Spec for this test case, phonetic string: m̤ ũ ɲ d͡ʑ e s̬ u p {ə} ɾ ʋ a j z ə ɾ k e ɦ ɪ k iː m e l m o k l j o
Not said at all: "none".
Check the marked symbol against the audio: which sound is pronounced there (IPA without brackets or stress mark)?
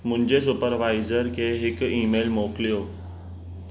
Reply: ə